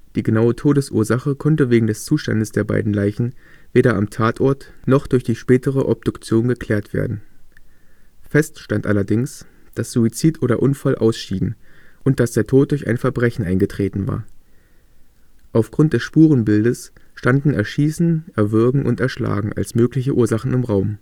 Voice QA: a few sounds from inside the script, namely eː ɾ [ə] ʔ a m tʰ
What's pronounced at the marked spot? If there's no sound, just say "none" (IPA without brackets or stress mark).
ɐ